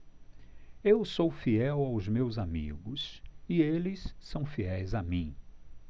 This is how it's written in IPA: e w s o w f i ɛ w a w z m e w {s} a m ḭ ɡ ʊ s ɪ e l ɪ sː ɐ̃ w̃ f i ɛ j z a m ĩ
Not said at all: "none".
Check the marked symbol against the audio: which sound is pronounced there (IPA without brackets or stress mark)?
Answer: z